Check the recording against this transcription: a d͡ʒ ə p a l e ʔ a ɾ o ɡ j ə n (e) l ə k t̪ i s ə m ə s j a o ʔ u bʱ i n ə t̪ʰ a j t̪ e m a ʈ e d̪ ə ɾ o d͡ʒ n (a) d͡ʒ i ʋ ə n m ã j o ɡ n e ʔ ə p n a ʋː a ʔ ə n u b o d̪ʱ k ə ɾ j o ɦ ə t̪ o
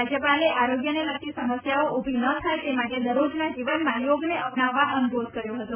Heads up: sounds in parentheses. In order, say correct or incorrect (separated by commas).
correct, correct